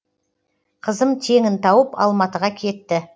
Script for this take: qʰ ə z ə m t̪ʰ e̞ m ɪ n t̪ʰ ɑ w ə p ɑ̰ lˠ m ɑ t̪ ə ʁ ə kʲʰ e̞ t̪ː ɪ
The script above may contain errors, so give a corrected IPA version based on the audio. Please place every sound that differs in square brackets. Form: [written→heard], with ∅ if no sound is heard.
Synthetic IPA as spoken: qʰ ə z ə m t̪ʰ e̞ [m→ŋ] ɪ n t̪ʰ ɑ w ə p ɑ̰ lˠ m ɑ t̪ ə ʁ [ə→ɑ] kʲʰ e̞ t̪ː ɪ